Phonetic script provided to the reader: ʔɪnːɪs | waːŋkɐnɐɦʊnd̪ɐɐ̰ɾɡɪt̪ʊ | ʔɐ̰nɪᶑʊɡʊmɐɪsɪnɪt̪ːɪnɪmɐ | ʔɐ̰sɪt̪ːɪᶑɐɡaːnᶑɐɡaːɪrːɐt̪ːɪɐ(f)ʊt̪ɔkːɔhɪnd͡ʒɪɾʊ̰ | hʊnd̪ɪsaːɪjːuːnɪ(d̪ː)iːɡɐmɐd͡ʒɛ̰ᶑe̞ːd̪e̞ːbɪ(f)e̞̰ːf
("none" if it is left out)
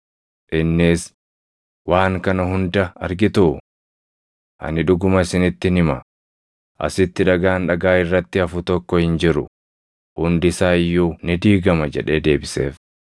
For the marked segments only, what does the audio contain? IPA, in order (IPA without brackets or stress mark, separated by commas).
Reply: f, d̪, s